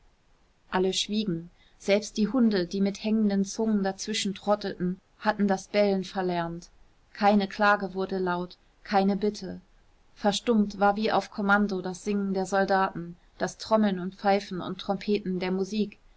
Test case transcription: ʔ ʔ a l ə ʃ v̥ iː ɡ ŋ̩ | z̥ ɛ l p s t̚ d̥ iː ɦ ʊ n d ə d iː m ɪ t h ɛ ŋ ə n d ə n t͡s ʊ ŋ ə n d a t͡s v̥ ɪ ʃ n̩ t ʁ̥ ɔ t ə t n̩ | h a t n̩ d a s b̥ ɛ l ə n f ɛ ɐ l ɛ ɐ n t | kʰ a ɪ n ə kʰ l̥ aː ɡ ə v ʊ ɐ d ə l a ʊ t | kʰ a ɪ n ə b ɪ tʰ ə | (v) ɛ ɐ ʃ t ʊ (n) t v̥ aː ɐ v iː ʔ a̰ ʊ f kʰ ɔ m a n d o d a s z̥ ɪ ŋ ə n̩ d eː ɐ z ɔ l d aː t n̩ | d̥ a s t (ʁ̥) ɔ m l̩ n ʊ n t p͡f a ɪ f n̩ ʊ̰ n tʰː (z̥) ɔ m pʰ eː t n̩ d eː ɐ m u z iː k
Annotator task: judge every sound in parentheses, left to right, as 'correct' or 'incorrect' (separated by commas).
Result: incorrect, incorrect, correct, incorrect